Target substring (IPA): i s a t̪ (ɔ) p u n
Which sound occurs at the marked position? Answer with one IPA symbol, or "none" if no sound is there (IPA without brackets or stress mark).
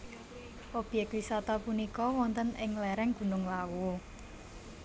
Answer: ɔ